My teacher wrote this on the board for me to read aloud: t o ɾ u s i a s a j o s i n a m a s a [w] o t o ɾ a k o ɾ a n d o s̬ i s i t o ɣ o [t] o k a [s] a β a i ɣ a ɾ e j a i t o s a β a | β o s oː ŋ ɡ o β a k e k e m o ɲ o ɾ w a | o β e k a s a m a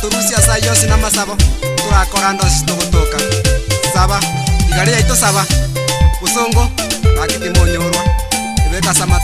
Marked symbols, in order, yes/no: no, yes, yes

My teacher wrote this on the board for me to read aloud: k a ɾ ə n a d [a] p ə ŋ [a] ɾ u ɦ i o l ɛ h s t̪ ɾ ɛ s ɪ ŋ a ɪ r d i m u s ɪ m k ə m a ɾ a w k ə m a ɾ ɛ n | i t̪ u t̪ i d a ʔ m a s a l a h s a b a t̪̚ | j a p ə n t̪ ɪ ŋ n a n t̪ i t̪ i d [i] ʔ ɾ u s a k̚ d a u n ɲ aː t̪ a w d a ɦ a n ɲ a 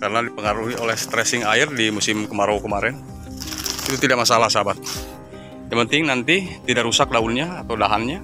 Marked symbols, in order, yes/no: no, yes, no

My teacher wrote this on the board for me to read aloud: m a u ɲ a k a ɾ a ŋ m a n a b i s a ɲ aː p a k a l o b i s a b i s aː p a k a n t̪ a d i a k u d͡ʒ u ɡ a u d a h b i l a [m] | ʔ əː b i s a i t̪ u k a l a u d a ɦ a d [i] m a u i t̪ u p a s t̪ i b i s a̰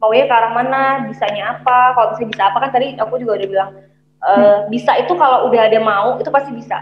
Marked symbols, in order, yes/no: no, no

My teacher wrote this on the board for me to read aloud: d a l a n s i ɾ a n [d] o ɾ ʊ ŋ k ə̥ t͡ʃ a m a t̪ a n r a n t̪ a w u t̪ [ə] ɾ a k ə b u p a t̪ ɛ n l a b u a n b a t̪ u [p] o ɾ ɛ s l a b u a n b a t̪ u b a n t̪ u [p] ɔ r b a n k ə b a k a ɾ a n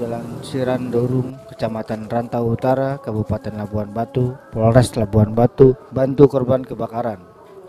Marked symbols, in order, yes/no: yes, no, yes, no

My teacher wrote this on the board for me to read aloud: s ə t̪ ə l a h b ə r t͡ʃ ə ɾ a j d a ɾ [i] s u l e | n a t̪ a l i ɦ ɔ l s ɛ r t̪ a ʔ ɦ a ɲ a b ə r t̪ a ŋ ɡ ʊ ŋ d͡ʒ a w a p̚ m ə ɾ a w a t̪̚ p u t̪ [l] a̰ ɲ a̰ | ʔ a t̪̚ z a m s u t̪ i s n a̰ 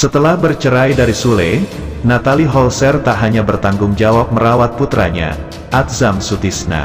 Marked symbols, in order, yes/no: yes, no

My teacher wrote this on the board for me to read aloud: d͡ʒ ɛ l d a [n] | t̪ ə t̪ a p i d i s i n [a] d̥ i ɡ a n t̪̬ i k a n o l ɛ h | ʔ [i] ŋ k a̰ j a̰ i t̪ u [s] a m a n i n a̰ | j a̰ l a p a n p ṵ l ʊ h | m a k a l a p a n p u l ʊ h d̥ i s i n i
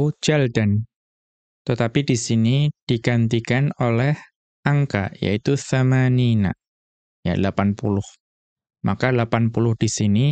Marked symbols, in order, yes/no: yes, no, no, no

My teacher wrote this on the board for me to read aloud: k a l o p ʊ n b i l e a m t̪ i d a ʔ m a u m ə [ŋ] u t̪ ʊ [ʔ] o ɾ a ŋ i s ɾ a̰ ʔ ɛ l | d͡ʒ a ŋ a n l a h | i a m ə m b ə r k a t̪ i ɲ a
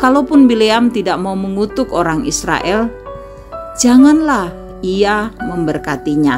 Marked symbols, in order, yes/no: yes, no

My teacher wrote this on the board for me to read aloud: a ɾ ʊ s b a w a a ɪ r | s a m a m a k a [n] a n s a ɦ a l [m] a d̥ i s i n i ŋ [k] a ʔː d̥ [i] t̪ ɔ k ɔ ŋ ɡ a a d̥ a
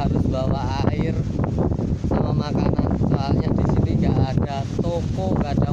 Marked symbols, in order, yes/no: yes, no, no, no

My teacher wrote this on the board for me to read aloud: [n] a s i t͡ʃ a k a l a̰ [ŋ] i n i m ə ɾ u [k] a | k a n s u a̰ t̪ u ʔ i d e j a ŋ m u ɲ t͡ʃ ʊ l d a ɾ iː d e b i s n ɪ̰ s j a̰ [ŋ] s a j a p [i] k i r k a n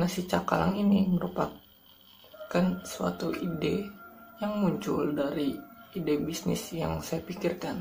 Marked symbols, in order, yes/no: yes, yes, no, yes, yes

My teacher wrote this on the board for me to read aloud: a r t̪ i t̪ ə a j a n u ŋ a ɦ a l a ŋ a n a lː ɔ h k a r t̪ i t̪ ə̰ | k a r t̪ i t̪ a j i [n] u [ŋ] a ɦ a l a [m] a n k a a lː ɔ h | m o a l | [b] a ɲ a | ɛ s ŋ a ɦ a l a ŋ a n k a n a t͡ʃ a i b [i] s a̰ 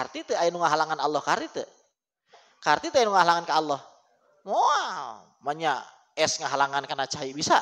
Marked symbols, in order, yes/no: yes, yes, no, no, yes

